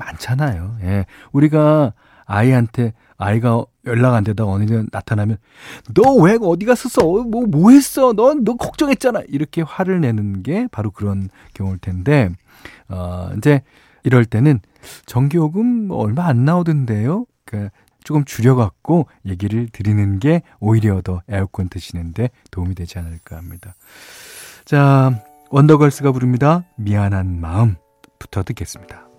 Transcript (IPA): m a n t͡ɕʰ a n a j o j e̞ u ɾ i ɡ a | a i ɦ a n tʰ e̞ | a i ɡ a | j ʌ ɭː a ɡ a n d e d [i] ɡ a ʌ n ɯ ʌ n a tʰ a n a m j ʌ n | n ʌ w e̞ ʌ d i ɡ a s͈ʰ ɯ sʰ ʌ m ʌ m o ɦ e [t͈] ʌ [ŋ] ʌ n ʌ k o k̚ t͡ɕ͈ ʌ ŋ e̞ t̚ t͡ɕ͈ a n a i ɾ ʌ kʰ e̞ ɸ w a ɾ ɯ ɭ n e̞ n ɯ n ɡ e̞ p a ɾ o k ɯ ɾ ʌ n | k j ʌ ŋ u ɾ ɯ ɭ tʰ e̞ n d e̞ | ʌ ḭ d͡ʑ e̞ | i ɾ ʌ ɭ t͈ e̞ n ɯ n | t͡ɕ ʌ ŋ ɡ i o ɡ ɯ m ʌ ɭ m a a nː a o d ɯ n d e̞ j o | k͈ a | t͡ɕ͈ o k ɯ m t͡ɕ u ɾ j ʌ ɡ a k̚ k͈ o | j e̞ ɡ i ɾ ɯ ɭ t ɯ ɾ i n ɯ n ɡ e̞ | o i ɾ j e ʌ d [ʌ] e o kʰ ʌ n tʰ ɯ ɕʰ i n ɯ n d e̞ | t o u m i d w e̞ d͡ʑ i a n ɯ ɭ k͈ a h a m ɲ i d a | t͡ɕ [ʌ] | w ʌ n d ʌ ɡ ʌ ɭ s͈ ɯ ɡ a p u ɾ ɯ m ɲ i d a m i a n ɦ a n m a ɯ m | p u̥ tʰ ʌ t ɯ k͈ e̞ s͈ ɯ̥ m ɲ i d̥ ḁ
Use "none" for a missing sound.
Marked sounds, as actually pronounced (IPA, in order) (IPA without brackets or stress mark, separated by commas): a, s͈, n, ʌ, a